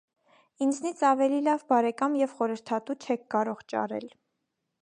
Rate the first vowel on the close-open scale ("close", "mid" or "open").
close